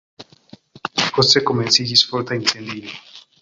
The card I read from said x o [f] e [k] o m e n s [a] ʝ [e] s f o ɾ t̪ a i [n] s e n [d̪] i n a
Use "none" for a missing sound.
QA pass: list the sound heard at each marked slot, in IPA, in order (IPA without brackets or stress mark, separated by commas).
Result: s, k, i, i, n, d̪